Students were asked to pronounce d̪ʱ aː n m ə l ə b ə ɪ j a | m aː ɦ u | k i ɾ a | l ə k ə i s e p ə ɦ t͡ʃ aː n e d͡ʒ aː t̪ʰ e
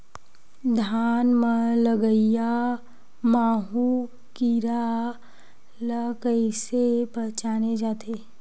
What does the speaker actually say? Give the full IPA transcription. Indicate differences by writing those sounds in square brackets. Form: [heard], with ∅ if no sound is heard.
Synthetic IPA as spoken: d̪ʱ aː n m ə l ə [ɡ] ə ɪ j a | m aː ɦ u | k i ɾ a | l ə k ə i s e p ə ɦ t͡ʃ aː n e d͡ʒ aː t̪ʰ e